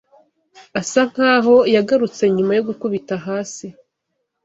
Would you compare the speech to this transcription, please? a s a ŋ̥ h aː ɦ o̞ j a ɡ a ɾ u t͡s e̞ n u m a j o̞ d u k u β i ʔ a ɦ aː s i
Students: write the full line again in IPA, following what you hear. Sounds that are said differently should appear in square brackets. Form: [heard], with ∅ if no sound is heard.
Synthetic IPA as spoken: a s a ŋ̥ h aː ɦ o̞ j a ɡ a ɾ u t͡s e̞ [ɲ] u m a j o̞ [ɡ] u k u β i [t] a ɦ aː s i